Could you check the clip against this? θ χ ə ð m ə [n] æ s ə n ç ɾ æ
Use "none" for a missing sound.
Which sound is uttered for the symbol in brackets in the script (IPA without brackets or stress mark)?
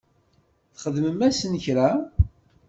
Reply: m